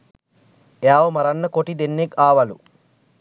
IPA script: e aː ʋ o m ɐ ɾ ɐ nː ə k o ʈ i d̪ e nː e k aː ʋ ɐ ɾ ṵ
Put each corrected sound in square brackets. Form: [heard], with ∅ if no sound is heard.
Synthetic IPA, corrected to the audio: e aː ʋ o m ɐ ɾ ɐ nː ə k o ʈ i d̪ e nː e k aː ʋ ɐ [l] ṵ